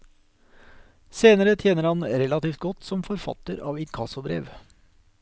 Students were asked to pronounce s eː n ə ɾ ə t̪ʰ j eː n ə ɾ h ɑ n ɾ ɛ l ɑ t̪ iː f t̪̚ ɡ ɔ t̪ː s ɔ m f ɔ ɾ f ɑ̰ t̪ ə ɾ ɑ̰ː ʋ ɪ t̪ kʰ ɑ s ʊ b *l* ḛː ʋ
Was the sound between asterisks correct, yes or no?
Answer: no